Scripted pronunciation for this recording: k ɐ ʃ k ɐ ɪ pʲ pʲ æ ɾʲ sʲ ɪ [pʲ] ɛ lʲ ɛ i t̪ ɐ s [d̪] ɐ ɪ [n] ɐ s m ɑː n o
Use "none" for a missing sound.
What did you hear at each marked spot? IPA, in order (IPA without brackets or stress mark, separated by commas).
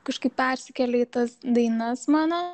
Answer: kʲ, d̪, n